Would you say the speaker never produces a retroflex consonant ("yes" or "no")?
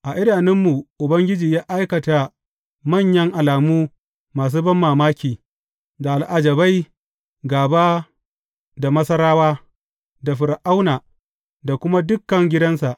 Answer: yes